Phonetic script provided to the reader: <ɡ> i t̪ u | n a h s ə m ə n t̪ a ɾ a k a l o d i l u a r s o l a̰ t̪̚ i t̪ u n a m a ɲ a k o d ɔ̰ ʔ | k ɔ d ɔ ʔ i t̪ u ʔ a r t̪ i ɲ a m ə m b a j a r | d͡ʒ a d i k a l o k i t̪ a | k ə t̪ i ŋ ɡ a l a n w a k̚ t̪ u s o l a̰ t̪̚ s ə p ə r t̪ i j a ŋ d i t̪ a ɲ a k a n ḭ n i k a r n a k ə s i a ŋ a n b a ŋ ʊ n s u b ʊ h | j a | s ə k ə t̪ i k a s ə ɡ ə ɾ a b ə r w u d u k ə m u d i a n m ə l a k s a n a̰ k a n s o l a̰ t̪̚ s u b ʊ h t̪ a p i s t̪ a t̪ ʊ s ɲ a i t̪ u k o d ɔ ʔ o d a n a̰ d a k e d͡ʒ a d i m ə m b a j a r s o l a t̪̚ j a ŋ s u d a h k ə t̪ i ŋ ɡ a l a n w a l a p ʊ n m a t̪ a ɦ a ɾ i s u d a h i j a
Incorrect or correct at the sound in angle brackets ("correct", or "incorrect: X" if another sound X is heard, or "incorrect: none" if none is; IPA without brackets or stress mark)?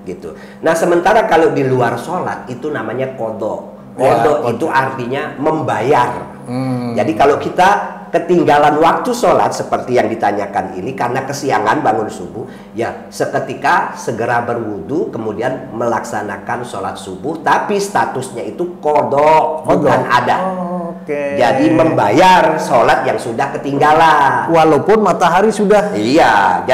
correct